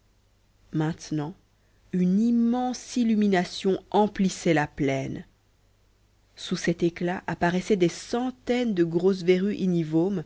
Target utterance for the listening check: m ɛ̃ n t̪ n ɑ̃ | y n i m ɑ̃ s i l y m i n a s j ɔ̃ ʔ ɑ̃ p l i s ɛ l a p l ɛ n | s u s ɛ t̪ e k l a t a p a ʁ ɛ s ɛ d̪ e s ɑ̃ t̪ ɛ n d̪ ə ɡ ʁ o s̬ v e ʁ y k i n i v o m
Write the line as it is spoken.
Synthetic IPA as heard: m ɛ̃ t̪ n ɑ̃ | y n i m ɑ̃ s i l y m i n a s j ɔ̃ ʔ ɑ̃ p l i s ɛ l a p l ɛ n | s u s ɛ t̪ e k l a ʔ a p a ʁ ɛ s ɛ d̪ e s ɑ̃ t̪ ɛ n d̪ ə ɡ ʁ o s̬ v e ʁ y ʔ i n i v o m

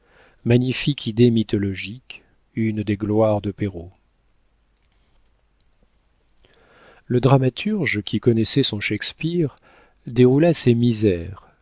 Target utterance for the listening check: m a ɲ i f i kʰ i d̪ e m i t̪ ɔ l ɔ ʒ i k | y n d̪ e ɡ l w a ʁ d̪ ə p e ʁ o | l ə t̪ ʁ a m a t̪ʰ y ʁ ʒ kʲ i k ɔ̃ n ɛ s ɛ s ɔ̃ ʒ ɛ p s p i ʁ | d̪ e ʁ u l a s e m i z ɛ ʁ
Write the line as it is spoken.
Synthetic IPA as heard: m a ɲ i f i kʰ i d̪ e m i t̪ ɔ l ɔ ʒ i k | y n d̪ e ɡ l w a ʁ d̪ ə p e ʁ o | l ə d̪ ʁ a m a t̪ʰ y ʁ ʒ kʲ i k ɔ n ɛ s ɛ s ɔ̃ ʃ ɛ k s p i ʁ | d̪ e ʁ u l a s e m i z ɛ ʁ

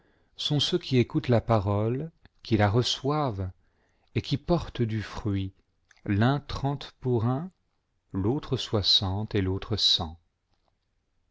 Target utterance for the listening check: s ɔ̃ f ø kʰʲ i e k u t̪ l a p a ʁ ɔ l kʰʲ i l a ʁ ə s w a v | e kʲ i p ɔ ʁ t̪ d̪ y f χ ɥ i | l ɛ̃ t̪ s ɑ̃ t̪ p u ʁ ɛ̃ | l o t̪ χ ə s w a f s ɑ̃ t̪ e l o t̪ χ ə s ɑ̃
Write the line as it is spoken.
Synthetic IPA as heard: s ɔ̃ s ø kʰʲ i e k u t̪ l a p a ʁ ɔ l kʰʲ i l a ʁ ə s w a v | e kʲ i p ɔ ʁ t̪ d̪ y f χ ɥ i | l ɛ̃ t̪ χ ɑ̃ t̪ p u ʁ ɛ̃ | l o t̪ χ ə s w a s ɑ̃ t̪ e l o t̪ χ ə s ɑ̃

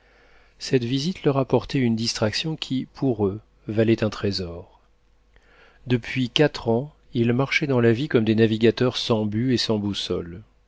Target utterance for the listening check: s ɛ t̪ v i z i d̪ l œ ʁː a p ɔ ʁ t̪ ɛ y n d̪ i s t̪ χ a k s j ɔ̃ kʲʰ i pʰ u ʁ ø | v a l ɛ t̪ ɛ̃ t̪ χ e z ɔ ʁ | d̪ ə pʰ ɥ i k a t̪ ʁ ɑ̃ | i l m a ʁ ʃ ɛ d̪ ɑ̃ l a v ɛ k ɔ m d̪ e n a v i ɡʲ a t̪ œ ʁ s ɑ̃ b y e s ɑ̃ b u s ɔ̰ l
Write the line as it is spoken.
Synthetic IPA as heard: s ɛ t̪ v i z i t̪ l œ ʁ a p ɔ ʁ t̪ ɛ y n d̪ i s t̪ χ a k s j ɔ̃ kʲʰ i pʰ u ʁ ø | v a l ɛ t̪ ɛ̃ t̪ χ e z ɔ ʁ | d̪ ə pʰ ɥ i k a t̪ χ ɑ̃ | i l m a ʁ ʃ ɛ d̪ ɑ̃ l a v i k ɔ m d̪ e n a v i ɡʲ a t̪ œ ʁ s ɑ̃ b y e s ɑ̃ b u s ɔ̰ l

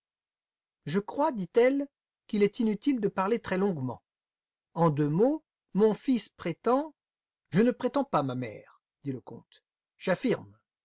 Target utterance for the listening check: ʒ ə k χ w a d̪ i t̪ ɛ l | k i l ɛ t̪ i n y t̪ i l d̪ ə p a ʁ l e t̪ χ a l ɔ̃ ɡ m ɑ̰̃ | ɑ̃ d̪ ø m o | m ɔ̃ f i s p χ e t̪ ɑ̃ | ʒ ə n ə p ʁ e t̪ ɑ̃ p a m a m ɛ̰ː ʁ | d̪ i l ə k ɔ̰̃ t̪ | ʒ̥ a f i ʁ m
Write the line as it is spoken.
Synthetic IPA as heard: ʒ ə k χ w a d̪ i t̪ ɛ l | k i l ɛ t̪ i n y t̪ i l d̪ ə p a ʁ l e t̪ χ ɛ l ɔ̃ ɡ m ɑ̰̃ | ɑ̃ d̪ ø m o | m ɔ̃ f i s p χ e t̪ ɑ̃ | ʒ ə n ə p χ e t̪ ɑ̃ p a m a m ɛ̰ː ʁ | d̪ i l ə k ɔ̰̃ t̪ | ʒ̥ a f i ʁ m

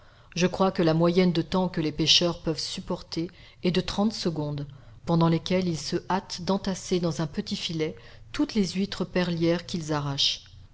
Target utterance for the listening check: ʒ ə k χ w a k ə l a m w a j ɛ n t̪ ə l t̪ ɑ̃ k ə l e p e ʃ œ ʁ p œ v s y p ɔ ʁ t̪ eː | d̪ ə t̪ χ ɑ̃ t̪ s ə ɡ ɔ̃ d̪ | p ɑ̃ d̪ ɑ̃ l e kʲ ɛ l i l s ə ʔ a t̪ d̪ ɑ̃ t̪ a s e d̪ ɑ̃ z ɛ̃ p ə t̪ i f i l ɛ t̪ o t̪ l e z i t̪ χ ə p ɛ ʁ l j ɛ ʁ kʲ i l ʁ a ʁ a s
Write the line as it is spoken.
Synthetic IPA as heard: ʒ ə k χ w a k ə l a m w a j ɛ n d̪ ə t̪ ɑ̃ k ə l e p e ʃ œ ʁ p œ v s y p ɔ ʁ t̪ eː | d̪ ə t̪ χ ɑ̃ t̪ s ə ɡ ɔ̃ d̪ | p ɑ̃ d̪ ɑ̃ l e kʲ ɛ l i l s ə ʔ a t̪ d̪ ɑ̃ t̪ a s e d̪ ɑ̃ z ɛ̃ p ə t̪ i f i l ɛ t̪ u t̪ l e z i t̪ χ ə p ɛ ʁ l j ɛ ʁ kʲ i l z a ʁ a ʃ

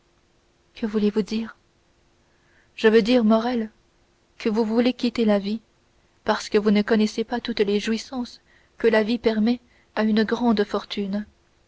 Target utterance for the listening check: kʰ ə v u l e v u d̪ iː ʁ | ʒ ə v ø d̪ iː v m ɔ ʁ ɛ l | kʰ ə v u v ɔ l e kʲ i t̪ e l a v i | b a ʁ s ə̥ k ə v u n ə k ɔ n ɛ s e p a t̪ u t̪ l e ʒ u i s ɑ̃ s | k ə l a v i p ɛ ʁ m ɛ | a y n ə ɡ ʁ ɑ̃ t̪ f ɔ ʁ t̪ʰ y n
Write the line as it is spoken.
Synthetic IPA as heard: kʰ ə v u l e v u d̪ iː ʁ | ʒ ə v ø d̪ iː ʁ m ɔ ʁ ɛ l | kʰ ə v u v u l e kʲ i t̪ e l a v i | p a ʁ s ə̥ k ə v u n ə k ɔ n ɛ s e p a t̪ u t̪ l e ʒ u i s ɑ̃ s | k ə l a v i p ɛ ʁ m ɛ | a y n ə ɡ ʁ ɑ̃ d̪ f ɔ ʁ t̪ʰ y n

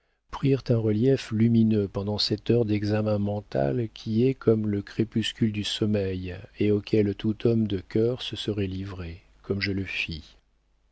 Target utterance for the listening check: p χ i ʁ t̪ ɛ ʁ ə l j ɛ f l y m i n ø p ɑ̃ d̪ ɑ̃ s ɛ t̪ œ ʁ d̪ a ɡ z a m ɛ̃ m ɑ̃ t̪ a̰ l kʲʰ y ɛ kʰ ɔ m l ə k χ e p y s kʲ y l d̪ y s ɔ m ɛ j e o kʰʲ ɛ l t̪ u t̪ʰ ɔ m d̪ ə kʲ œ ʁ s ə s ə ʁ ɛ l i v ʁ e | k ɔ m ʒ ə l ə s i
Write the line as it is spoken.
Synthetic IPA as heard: p χ i ʁ t̪ ɛ̃ ʁ ə l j ɛ f l y m i n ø p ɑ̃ d̪ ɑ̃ s ɛ t̪ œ ʁ d̪ ɛ ɡ z a m ɛ̃ m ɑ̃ t̪ a̰ l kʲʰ i ɛ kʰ ɔ m l ə k χ e p y s kʲ y l d̪ y s ɔ m ɛ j e o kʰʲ ɛ l t̪ u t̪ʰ ɔ m d̪ ə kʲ œ ʁ s ə s ə ʁ ɛ l i v ʁ e | k ɔ m ʒ ə l ə f i

